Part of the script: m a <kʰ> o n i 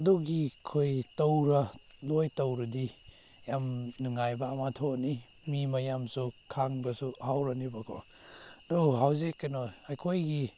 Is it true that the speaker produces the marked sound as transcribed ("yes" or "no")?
no